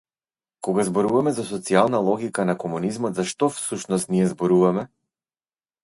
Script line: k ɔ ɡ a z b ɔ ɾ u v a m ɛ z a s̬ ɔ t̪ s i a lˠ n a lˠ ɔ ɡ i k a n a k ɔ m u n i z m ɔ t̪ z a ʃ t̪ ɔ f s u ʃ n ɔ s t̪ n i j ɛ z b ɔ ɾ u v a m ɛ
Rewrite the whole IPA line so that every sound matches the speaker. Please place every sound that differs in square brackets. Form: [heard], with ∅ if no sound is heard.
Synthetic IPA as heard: k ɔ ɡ a z b ɔ ɾ u v a m ɛ z a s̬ ɔ t̪ s i a lˠ n a lˠ ɔ ɡ i k a n a k ɔ m u n i z m ɔ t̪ z a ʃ t̪ ɔ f s u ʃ n ɔ s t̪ n i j ɛ z b ɔ ɾ u v a m ɛ